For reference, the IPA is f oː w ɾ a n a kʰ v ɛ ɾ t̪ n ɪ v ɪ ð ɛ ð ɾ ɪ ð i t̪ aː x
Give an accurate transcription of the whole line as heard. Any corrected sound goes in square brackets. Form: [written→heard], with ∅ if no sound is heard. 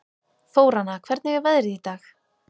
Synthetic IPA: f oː w ɾ a n a kʰ v ɛ ɾ t̪ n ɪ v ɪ [ð→v] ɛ ð ɾ ɪ ð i t̪ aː x